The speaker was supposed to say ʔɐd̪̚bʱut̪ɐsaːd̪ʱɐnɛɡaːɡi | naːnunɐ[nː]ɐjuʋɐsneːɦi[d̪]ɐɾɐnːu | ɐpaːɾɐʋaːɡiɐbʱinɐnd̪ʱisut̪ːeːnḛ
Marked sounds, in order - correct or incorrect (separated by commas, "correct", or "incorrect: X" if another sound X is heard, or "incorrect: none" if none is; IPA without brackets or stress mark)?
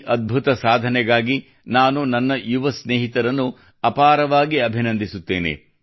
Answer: correct, incorrect: t̪